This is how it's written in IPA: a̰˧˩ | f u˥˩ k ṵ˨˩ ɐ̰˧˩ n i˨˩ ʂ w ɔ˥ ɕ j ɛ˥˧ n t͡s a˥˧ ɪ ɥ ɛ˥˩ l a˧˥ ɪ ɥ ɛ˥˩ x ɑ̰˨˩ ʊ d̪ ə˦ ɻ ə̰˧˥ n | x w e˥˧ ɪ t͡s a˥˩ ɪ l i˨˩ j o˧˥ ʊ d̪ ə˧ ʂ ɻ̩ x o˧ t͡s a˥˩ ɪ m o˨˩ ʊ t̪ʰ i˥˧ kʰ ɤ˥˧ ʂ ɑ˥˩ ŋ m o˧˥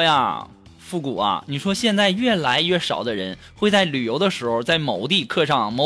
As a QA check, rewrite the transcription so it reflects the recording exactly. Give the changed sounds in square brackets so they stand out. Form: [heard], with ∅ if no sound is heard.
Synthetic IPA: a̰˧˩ | f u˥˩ k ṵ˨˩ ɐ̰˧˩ n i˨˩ ʂ w ɔ˥ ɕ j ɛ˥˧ n t͡s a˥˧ ɪ ɥ ɛ˥˩ l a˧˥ ɪ ɥ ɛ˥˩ [ʂ] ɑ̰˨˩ ʊ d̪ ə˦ ɻ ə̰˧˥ n | x w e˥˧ ɪ t͡s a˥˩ ɪ l [y˨˩] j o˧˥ ʊ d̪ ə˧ ʂ ɻ̩ x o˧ t͡s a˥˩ ɪ m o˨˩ ʊ [t̪] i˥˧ kʰ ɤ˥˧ ʂ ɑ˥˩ ŋ m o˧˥